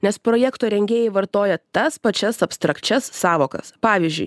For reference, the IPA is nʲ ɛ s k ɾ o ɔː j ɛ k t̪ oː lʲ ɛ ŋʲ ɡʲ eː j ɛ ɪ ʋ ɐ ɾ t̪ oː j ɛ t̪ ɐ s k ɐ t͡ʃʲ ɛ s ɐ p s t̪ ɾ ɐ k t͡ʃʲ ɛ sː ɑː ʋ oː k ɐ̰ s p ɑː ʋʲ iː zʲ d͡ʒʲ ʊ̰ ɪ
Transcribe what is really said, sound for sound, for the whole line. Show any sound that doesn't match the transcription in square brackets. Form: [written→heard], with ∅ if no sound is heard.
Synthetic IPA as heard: nʲ ɛ s [k→p] ɾ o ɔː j ɛ k t̪ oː [lʲ→ɾʲ] ɛ ŋʲ ɡʲ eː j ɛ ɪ ʋ ɐ ɾ t̪ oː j ɛ t̪ ɐ s [k→p] ɐ t͡ʃʲ ɛ s ɐ p s t̪ ɾ ɐ k t͡ʃʲ ɛ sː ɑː ʋ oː k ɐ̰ s p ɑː ʋʲ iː zʲ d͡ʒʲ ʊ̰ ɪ